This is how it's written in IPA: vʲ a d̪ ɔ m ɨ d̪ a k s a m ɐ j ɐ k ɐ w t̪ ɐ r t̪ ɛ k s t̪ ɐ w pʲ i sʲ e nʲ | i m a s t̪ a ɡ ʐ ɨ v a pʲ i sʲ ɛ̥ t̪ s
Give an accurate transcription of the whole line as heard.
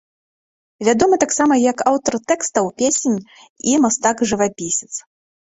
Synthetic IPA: vʲ a d̪ ɔ m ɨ t̪ a k s a m ɐ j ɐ k a w t̪ ɐ r t̪ ɛ k s t̪ ɐ w pʲ e sʲ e nʲ | i m a s t̪ a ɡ ʐ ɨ v a pʲ i sʲ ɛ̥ t̪ s